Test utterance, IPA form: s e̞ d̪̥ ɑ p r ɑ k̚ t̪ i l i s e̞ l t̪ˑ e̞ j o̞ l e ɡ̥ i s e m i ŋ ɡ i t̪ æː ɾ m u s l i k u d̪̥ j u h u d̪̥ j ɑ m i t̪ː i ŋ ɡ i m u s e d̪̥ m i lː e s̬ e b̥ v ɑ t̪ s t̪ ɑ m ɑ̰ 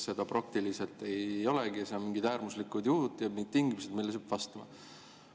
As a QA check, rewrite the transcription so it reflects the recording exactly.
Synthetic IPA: s e̞ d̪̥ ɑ p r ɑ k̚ t̪ i l i s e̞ l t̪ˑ e̞ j o̞ l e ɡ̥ i s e m i ŋ ɡ i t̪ æː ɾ m u s l i k u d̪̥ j u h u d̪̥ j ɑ m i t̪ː i ŋ ɡ i m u s e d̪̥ m i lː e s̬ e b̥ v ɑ s t̪ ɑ m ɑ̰